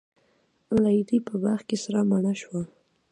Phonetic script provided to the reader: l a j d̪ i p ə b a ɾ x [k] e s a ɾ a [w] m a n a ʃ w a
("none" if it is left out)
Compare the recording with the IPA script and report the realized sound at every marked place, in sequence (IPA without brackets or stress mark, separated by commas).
k, none